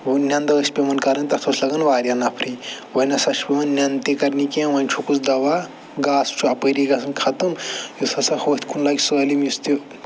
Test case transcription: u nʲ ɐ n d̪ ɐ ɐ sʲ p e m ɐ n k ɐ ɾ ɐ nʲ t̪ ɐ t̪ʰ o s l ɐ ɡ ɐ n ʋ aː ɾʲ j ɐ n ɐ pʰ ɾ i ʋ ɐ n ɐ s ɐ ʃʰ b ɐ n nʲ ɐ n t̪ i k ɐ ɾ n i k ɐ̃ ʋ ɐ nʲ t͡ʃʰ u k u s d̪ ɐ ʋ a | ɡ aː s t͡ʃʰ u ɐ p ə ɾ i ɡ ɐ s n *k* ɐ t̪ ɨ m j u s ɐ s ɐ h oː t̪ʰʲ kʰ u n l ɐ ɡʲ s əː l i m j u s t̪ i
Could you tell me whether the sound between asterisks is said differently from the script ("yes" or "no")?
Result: yes